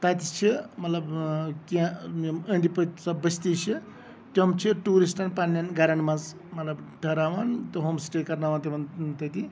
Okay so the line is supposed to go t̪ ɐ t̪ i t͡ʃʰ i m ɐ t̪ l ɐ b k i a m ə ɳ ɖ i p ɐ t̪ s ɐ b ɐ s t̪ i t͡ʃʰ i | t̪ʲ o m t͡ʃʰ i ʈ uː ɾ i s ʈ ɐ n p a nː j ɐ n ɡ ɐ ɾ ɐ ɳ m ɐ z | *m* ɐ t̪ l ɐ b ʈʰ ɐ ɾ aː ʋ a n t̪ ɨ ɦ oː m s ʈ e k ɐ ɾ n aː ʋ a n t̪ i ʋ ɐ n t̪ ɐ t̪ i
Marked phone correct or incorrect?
correct